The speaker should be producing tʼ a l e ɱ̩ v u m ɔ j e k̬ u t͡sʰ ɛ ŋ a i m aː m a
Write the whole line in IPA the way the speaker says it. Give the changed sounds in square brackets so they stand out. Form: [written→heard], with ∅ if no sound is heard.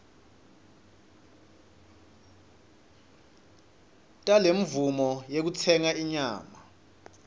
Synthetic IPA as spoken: tʼ a l e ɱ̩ v u m ɔ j e k̬ u t͡sʰ ɛ ŋ a i [m→ɲ] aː m a